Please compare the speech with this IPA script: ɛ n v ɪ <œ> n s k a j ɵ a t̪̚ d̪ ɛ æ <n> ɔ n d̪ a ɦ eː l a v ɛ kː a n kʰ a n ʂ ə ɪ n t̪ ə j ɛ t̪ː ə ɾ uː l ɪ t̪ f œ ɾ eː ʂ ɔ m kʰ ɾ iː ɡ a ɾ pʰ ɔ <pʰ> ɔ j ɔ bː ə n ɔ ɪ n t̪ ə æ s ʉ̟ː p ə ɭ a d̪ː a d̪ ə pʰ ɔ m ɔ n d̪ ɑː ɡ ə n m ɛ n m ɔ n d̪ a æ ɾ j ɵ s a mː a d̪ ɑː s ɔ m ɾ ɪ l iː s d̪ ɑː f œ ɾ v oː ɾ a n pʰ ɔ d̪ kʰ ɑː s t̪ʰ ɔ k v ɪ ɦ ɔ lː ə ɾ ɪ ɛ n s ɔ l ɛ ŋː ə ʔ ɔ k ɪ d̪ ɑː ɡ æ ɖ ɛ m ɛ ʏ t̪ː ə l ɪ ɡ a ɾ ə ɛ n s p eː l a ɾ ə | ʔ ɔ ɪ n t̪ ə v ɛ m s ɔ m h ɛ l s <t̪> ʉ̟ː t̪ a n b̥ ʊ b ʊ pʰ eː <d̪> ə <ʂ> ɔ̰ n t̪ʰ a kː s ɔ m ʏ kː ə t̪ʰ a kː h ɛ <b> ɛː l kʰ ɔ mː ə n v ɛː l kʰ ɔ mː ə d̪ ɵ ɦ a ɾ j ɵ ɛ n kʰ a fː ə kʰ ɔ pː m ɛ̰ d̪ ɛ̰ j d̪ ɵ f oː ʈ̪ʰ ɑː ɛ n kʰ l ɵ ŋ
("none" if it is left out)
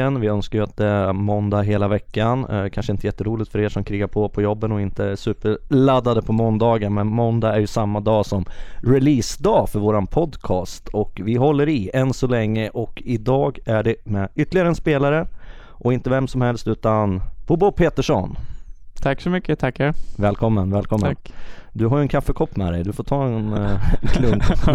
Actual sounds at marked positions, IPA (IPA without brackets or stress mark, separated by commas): œ, m, pʰ, t̪, t̪, ʂ, v